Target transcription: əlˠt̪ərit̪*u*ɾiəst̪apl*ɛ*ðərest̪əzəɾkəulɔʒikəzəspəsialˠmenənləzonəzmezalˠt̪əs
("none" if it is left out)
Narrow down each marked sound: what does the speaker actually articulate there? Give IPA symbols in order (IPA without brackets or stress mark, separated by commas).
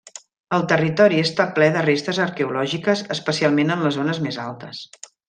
ɔ, ɛ